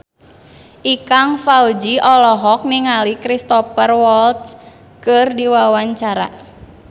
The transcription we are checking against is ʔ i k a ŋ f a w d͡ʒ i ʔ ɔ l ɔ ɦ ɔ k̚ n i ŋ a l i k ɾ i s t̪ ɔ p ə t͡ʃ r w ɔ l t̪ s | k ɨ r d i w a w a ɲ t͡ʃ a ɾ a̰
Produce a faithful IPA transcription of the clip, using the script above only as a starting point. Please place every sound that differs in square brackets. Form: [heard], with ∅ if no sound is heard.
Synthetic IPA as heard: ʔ i k a ŋ f a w d͡ʒ i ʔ ɔ l ɔ ɦ ɔ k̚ n i ŋ a l i k ɾ i s t̪ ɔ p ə [∅] r w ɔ l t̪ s | k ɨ r d i w a w a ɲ t͡ʃ a ɾ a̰